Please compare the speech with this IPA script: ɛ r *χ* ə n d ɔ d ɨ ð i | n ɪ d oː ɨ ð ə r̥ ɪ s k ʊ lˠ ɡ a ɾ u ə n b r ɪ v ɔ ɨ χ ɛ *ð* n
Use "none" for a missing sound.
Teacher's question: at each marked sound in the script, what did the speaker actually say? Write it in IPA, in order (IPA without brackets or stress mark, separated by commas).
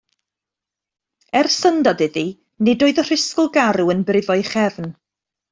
s, v